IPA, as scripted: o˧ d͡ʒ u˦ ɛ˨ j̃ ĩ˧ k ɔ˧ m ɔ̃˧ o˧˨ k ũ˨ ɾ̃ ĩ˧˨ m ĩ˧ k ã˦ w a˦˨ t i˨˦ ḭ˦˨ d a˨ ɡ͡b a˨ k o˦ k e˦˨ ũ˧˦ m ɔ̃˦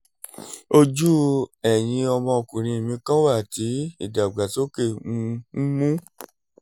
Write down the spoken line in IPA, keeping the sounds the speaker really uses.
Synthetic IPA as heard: o˧ d͡ʒ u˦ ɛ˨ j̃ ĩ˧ ɔ˧ m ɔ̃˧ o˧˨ k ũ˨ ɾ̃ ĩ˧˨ m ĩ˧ k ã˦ w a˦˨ t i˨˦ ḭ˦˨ d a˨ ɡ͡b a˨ t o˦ k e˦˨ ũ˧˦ m ũ˦